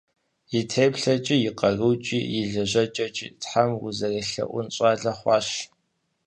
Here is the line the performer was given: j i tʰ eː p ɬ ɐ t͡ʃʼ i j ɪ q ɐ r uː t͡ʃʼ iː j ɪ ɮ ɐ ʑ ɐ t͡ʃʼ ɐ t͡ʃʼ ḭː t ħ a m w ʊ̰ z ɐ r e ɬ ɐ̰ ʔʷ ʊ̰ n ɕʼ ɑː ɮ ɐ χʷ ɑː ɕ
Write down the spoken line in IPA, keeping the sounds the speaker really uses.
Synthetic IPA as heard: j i tʰ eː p ɬ ɐ t͡ʃʼ i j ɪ q ɐ r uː t͡ʃʼ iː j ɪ ɮ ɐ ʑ ɐ t͡ʃʼ ɐ t͡ʃʼ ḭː t ħ a m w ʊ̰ z ɐ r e ɬ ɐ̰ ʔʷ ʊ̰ n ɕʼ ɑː ɮ ɐ χʷ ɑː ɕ